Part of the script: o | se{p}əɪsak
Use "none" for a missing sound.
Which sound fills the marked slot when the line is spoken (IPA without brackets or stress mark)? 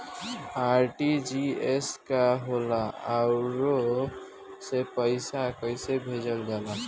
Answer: p